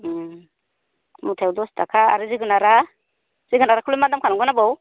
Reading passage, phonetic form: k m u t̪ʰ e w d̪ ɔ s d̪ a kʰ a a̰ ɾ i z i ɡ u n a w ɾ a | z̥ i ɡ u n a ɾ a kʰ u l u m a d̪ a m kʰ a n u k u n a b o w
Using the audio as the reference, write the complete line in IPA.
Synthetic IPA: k m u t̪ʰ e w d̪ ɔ s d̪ a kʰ a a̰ ɾ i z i ɡ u n a ɾ a | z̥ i ɡ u n a ɾ a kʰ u l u m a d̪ a m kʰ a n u ɡ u n a b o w